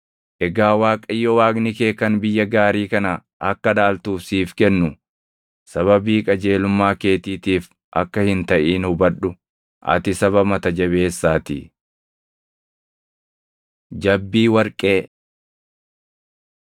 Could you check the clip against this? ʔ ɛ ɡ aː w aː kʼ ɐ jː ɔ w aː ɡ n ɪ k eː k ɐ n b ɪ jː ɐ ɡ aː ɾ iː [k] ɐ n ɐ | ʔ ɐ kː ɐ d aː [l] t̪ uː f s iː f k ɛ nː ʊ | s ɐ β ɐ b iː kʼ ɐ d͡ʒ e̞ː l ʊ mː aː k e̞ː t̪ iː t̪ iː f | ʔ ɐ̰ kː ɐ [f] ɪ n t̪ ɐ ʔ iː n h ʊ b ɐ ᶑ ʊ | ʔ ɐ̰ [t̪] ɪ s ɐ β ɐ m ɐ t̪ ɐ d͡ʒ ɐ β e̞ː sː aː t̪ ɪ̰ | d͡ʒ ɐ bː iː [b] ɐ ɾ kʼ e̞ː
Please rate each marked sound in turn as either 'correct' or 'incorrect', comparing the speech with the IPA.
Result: correct, correct, incorrect, correct, incorrect

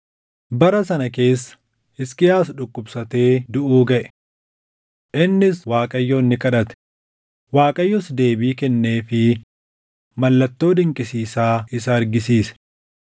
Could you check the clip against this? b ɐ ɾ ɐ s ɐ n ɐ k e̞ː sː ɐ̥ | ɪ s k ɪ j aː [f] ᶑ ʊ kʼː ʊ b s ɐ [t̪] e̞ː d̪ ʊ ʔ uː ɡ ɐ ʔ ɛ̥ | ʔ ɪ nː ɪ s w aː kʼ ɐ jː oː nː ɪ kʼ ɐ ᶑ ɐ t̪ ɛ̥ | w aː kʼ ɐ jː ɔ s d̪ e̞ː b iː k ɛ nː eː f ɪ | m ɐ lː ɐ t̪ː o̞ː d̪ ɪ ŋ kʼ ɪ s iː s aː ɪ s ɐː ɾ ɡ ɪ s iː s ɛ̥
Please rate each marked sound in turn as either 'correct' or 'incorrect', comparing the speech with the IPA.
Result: incorrect, correct

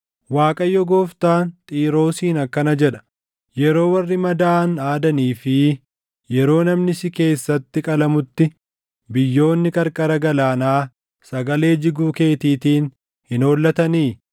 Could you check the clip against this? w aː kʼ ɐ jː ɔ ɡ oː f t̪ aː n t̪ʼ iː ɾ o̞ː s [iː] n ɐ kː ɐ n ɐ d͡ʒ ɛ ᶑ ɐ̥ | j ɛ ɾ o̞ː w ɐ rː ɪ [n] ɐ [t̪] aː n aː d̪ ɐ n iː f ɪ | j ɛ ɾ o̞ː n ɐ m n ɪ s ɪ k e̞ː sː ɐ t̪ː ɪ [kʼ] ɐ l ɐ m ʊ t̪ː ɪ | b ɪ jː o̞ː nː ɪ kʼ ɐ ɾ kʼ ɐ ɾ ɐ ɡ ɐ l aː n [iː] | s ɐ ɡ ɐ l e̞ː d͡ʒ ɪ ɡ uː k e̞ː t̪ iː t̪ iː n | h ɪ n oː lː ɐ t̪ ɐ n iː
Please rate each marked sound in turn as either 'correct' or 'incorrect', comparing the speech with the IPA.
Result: correct, incorrect, incorrect, correct, incorrect

